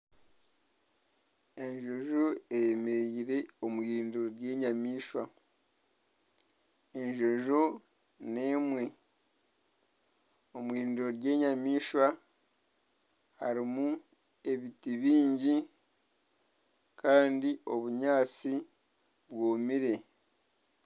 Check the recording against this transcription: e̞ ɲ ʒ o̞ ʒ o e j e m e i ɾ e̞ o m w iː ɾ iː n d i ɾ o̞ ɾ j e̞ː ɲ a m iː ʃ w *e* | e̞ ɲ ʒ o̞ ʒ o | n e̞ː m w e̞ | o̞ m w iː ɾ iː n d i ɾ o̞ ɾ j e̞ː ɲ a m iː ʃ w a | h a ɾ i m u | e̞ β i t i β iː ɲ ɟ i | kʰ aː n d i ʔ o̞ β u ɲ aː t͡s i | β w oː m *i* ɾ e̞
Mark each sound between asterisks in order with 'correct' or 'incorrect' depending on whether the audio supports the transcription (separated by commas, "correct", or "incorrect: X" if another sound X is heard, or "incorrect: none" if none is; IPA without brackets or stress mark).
incorrect: a, correct